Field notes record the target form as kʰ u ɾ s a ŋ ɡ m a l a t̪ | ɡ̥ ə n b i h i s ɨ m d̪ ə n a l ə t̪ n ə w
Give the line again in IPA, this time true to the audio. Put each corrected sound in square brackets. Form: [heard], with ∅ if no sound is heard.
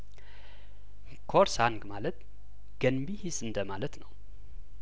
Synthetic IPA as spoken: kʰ [o] ɾ s a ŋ ɡ m a l [ə] t̪ | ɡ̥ ə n b i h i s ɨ [n] d̪ ə [m] a l ə t̪ n ə w

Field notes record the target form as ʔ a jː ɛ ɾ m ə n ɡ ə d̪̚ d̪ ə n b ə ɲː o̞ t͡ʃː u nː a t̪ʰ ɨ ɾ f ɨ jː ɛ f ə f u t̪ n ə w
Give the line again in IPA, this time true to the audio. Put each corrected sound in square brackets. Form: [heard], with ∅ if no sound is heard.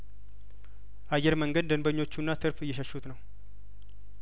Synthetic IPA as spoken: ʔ a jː ɛ ɾ m ə [ŋ] ɡ ə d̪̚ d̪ ə n b ə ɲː o̞ t͡ʃː u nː a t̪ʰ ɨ ɾ f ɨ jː ɛ [ʃ] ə [ʃ] u t̪ n ə w

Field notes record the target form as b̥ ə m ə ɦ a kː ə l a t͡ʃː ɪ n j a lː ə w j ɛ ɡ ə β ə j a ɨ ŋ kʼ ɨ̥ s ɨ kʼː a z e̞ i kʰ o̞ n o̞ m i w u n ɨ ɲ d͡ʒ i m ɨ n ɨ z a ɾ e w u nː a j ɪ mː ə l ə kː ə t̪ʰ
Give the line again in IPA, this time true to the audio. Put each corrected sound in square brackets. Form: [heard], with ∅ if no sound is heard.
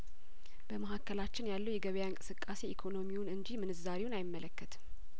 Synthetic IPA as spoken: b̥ ə m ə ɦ a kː ə l a t͡ʃː ɪ n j a lː ə w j ɛ ɡ ə β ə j a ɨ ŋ kʼ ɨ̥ s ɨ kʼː a [s] e̞ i kʰ o̞ n o̞ m i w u n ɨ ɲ d͡ʒ i m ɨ n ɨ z a ɾ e w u [n] a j ɪ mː ə l ə kː ə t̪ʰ

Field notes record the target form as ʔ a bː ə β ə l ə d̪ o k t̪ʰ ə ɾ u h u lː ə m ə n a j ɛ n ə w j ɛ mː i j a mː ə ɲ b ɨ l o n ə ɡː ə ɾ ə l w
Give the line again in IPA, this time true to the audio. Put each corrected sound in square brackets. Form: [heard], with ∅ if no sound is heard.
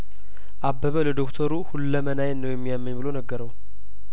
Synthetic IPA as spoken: ʔ a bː ə β ə l ə d̪ o k t̪ʰ ə ɾ u h u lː ə m ə n a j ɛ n ə w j ɛ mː i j a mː ə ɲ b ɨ l o n ə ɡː ə ɾ ə [∅] w

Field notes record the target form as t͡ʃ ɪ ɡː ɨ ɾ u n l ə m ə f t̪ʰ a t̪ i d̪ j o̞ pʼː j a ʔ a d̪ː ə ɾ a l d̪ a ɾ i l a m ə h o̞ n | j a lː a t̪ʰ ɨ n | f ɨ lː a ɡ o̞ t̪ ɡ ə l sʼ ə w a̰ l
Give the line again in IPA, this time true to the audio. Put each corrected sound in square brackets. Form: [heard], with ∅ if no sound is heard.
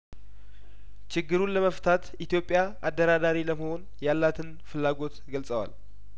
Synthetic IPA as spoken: t͡ʃ ɪ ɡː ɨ ɾ u n l ə m ə f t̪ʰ a t̪ i [t̪] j o̞ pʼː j a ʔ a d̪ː ə ɾ a [∅] d̪ a ɾ i l [ə] m ə h o̞ n | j a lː a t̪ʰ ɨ n | f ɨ lː a ɡ o̞ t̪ ɡ ə l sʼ ə w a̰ l

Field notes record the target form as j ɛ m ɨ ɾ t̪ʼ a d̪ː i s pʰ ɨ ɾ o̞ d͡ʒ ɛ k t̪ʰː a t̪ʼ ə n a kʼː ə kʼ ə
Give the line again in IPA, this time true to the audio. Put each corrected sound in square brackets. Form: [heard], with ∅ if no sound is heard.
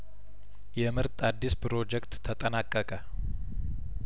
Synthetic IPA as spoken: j ɛ m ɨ ɾ t̪ʼ a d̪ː i s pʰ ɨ ɾ o̞ d͡ʒ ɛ k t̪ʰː [ə] t̪ʼ ə n a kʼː ə kʼ ə

